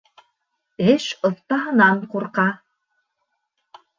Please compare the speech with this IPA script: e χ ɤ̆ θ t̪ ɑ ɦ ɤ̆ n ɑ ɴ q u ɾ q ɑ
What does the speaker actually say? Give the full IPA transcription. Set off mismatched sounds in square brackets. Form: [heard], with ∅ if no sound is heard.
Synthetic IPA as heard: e [ʃ] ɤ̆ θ t̪ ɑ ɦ ɤ̆ n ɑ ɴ q u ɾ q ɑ